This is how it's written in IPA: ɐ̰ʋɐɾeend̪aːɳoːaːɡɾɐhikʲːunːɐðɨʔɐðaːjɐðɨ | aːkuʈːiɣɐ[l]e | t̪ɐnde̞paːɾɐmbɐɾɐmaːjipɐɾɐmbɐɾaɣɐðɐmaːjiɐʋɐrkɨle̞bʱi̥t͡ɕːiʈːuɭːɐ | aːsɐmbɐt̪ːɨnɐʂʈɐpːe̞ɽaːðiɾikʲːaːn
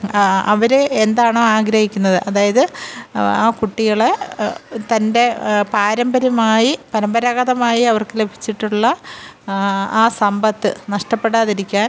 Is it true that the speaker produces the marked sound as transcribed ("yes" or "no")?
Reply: no